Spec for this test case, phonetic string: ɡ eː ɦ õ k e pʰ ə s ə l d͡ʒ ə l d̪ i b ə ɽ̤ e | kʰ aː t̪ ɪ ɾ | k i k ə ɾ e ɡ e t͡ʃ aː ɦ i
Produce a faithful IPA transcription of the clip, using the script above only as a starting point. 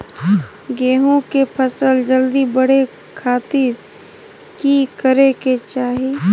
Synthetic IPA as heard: ɡ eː ɦ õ k e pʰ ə s ə l d͡ʒ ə l d̪ i b ə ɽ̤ e | kʰ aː t̪ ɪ ɾ | k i k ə ɾ e k e t͡ʃ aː ɦ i